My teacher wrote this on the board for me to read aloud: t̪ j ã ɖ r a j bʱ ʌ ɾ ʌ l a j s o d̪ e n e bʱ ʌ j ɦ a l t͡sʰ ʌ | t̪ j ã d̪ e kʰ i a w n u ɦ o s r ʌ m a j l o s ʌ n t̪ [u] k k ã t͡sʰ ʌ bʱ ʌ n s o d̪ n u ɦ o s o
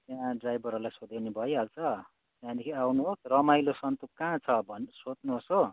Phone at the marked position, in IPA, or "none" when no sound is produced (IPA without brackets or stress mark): u